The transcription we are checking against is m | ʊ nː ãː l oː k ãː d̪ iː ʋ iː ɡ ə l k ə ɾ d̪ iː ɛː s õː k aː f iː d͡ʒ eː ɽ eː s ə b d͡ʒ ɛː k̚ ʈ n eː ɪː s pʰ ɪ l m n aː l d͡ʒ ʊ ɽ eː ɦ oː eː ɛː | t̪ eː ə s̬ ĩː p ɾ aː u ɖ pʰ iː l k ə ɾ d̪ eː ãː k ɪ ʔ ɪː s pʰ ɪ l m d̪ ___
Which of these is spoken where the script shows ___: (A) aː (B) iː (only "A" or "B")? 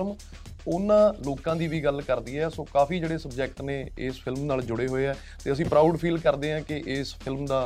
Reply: A